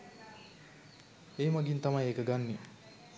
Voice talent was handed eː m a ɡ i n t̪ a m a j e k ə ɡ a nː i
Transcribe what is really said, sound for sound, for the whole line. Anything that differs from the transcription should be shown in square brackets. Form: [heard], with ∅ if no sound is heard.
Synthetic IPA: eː m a ɡ i n t̪ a m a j e k ə ɡ a nː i